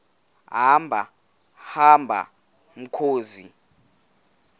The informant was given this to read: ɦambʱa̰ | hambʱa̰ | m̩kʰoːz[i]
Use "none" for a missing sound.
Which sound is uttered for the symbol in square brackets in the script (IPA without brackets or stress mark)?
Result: i